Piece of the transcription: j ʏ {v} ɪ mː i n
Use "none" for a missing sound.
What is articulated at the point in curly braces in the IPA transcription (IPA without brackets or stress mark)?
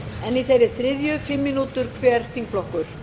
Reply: f